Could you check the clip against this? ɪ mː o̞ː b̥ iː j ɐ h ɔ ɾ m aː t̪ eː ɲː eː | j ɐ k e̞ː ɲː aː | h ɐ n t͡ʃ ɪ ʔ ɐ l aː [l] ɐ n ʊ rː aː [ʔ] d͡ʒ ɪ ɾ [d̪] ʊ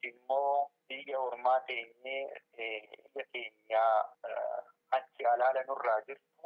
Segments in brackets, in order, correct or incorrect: correct, incorrect: none, incorrect: t̪

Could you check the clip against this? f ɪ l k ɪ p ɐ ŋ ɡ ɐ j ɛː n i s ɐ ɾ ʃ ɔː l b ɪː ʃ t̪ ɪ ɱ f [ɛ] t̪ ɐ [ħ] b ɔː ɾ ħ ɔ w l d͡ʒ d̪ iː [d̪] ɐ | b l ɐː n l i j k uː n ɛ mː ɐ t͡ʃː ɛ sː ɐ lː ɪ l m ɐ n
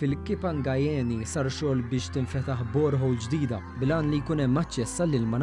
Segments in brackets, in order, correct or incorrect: correct, correct, correct

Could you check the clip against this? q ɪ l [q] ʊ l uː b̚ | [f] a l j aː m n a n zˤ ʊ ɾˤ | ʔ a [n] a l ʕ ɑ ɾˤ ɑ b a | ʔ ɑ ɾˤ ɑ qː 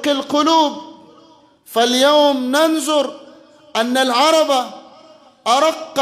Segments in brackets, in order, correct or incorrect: correct, correct, incorrect: nː

